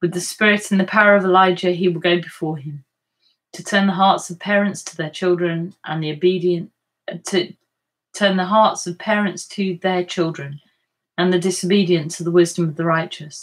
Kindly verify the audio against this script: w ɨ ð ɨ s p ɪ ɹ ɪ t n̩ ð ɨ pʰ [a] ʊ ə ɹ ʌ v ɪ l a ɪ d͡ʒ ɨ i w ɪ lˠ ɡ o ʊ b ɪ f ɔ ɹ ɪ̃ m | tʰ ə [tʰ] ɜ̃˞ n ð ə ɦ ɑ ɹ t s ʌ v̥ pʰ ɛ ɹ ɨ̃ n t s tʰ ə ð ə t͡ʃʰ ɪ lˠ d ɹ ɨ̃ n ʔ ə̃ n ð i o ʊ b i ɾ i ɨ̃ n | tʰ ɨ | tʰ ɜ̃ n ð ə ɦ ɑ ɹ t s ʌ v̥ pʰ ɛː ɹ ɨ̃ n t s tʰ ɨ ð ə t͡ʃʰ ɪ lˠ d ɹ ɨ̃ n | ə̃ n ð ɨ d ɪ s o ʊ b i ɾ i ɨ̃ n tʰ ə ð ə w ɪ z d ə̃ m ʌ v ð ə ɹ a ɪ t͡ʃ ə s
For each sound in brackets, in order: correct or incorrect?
correct, correct

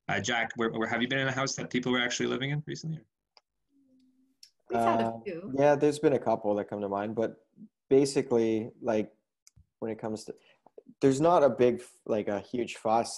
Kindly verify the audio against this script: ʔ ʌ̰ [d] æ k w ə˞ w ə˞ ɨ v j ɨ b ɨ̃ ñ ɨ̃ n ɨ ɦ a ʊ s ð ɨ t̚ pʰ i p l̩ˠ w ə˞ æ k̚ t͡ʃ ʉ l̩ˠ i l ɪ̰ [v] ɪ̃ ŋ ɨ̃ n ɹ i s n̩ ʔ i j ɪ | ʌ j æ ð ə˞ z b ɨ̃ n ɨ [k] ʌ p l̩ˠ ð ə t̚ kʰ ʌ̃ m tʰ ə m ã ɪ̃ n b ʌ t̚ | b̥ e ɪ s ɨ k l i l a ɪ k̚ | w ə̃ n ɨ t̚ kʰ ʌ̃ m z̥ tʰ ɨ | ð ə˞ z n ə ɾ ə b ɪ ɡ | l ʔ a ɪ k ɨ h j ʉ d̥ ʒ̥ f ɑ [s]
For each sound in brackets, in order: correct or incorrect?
incorrect, correct, incorrect, correct

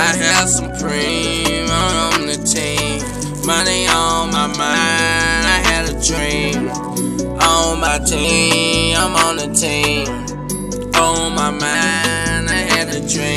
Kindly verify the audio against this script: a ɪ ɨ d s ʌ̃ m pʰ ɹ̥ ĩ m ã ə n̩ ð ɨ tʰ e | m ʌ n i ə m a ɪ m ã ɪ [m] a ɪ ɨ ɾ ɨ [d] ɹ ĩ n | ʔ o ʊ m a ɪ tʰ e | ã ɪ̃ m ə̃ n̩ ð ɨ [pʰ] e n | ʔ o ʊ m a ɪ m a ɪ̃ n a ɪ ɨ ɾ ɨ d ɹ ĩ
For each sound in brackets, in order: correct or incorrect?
incorrect, correct, incorrect

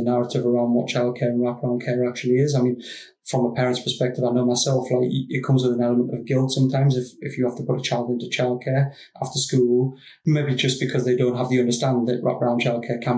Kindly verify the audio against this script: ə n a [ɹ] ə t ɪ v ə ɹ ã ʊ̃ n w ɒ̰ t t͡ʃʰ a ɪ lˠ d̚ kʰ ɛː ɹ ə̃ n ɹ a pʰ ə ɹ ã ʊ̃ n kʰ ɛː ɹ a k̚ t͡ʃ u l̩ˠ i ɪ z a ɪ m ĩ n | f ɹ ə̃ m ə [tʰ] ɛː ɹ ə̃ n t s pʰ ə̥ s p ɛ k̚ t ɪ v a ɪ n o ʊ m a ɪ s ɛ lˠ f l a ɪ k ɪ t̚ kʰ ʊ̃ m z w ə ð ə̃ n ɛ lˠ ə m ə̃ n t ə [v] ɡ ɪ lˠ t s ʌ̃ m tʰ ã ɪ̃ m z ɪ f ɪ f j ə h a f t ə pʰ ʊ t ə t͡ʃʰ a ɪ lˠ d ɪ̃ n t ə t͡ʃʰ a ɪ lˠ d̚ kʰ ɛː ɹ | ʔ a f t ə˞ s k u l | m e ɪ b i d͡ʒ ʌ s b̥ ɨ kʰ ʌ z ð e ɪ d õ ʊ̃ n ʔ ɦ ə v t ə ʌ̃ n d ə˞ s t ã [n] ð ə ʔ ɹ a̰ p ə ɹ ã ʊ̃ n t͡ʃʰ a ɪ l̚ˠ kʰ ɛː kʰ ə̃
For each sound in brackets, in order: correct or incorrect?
correct, incorrect, correct, correct

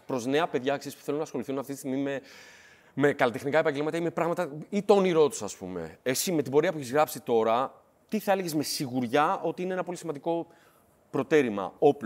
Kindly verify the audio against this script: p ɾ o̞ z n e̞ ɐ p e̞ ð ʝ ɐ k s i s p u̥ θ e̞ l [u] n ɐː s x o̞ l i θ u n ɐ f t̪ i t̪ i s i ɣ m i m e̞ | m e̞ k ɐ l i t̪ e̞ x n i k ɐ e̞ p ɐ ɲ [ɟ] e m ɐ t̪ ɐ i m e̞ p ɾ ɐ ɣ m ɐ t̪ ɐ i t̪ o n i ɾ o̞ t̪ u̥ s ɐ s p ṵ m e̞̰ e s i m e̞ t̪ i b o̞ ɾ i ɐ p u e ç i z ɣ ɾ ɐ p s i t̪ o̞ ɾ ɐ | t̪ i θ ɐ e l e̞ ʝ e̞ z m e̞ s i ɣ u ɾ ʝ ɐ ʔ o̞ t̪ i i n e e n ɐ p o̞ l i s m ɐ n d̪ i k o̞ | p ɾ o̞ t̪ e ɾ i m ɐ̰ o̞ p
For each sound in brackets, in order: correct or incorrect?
correct, correct

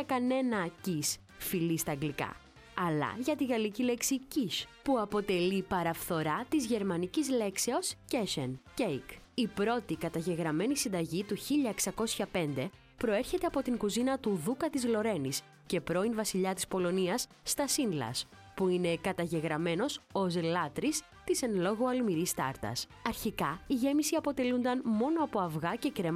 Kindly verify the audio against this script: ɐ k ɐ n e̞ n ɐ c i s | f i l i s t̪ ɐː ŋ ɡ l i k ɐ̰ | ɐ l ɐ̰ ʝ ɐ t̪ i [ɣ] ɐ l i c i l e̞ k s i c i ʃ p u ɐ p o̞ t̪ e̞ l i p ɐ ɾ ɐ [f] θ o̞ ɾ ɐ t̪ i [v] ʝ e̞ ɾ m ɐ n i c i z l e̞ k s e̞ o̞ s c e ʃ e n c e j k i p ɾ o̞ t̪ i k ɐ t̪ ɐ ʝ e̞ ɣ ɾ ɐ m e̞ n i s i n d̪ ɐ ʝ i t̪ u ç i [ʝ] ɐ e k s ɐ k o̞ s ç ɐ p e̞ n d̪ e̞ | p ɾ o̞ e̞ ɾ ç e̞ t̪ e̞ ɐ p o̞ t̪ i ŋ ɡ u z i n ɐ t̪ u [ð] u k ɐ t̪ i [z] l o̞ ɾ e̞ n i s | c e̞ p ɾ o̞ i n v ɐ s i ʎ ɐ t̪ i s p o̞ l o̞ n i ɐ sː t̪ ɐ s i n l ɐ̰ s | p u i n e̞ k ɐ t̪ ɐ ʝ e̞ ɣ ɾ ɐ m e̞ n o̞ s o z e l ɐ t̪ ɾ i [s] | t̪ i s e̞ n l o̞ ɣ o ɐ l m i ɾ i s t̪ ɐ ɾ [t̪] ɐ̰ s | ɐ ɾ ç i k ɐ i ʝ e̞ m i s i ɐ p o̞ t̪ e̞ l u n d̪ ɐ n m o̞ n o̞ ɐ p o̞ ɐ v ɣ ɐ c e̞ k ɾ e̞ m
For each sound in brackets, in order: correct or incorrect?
correct, correct, incorrect, incorrect, correct, correct, correct, correct

